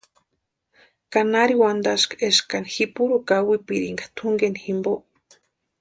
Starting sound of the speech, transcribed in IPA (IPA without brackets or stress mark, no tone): k